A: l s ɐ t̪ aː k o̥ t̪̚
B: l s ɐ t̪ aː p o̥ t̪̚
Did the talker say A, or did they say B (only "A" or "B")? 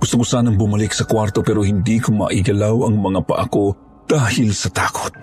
A